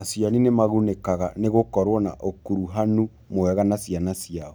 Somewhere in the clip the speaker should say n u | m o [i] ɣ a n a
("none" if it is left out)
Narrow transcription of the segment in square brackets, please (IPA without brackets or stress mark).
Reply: ɛ